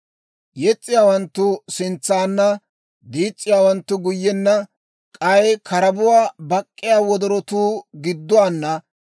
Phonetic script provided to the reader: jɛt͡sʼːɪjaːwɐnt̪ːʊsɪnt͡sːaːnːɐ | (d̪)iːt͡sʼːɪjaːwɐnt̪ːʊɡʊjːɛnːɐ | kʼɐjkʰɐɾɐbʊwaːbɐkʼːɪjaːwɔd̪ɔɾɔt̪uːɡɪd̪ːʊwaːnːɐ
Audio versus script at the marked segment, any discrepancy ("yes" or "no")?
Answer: no